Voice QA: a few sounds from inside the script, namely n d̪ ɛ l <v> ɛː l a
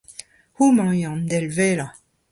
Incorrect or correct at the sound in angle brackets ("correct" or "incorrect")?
correct